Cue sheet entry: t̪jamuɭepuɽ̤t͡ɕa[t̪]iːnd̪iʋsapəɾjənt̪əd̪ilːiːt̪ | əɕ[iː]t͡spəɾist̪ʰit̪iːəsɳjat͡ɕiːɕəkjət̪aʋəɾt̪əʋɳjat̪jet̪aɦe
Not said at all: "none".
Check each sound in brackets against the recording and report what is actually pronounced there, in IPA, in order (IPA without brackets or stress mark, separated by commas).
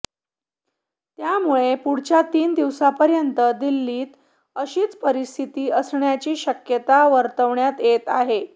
t̪, iː